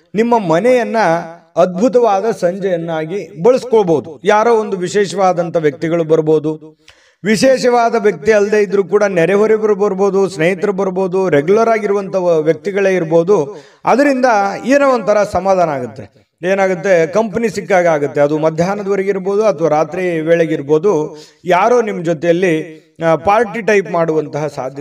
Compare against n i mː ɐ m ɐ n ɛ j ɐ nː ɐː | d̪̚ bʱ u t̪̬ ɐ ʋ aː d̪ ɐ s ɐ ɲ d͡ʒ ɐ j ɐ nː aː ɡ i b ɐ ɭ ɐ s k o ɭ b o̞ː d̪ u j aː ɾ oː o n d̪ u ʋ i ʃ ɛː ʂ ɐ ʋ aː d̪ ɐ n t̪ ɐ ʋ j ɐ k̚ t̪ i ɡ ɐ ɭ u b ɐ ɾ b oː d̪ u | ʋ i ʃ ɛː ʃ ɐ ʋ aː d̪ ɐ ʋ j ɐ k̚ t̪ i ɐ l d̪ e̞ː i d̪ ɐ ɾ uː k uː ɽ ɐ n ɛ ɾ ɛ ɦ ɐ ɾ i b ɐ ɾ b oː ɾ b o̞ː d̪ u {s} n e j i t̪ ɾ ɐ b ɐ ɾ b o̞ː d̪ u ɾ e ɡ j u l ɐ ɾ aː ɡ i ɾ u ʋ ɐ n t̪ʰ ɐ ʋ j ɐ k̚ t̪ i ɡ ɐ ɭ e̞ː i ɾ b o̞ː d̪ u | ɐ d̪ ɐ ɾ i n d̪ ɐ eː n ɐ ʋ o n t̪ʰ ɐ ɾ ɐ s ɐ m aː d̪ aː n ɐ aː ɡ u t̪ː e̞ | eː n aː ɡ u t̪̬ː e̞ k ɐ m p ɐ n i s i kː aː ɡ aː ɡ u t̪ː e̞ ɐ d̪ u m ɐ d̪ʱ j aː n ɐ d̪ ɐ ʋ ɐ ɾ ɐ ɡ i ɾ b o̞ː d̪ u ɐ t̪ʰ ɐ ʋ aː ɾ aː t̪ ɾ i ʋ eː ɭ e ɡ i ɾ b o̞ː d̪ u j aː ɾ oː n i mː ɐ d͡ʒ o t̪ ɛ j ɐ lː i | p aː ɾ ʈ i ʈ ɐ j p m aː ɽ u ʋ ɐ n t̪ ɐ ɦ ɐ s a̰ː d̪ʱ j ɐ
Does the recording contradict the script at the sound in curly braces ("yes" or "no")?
no